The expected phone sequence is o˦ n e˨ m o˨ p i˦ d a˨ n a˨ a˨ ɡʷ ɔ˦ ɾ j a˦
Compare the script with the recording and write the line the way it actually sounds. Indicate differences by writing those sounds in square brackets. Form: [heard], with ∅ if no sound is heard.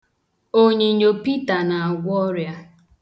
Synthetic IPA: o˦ [ɲ] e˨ [ɲ] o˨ p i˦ [t] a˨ n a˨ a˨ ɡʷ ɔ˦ ɾ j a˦